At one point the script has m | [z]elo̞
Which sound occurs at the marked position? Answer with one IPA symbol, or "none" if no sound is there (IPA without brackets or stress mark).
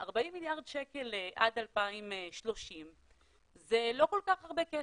z